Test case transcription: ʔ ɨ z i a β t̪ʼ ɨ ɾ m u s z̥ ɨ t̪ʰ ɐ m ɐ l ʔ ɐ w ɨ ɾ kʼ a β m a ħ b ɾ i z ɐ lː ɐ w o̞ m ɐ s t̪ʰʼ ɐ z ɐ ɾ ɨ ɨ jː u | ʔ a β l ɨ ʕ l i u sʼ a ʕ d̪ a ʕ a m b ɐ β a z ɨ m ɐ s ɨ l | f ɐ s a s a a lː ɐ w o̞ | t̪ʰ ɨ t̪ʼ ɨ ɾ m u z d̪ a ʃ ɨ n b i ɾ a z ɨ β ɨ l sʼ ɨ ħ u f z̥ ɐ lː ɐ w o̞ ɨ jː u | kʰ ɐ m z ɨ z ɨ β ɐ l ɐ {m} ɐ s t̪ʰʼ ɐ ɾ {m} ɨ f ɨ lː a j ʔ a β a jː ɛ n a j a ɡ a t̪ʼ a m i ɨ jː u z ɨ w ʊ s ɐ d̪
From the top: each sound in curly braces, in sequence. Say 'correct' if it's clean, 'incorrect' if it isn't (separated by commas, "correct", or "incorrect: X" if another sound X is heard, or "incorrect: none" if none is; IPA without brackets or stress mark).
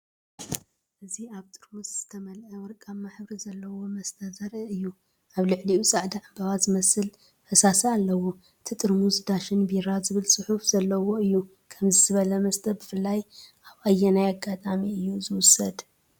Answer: correct, incorrect: b